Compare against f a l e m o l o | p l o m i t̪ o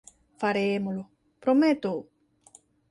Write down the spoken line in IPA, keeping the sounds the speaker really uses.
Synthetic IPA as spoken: f a ɾ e m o l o | p ɾ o m e t̪ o